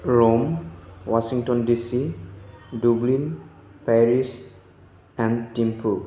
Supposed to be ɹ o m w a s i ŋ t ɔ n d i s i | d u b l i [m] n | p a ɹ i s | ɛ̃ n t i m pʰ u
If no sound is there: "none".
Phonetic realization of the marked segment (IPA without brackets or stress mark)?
none